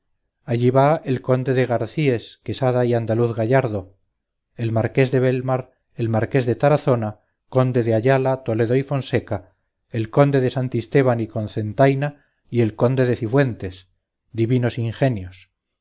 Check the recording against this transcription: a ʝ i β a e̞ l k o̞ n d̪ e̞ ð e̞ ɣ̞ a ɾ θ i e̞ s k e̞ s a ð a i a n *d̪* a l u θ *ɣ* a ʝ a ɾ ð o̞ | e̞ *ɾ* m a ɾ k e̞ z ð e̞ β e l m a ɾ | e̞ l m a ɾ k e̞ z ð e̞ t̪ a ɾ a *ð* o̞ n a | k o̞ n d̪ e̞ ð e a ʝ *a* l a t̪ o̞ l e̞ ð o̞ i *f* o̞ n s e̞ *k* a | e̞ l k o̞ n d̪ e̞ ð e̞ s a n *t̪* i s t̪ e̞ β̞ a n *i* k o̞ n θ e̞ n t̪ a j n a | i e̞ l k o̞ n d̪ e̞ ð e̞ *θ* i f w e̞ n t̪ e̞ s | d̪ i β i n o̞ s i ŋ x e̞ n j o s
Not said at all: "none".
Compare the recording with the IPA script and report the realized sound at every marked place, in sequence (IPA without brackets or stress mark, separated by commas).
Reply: d̪, ɣ, l, θ, a, f, k, t̪, i, θ